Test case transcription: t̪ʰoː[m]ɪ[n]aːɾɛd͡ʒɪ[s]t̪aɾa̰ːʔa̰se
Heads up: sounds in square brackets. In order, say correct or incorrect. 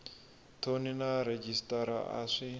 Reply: incorrect: n, correct, correct

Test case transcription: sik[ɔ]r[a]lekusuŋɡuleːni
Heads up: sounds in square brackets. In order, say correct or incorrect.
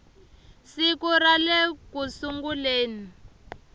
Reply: incorrect: u, correct

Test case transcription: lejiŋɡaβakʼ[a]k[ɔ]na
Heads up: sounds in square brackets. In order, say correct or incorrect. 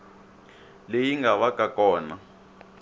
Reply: correct, incorrect: ɔː

